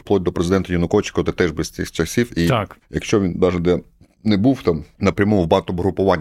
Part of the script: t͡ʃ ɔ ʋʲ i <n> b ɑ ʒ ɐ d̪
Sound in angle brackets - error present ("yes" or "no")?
no